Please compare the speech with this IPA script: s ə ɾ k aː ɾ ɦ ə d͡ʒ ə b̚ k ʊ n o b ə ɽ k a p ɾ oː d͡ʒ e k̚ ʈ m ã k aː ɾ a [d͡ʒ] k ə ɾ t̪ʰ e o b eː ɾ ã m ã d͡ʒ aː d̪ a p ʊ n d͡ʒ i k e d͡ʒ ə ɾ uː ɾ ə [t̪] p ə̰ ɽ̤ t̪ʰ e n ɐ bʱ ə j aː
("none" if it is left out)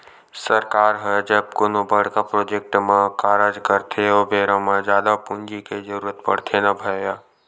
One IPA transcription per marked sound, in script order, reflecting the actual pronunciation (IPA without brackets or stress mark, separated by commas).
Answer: d͡ʒ, t̪